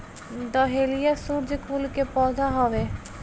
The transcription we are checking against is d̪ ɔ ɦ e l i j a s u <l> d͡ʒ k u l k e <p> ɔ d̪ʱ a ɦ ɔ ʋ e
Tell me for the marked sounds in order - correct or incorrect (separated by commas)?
incorrect, correct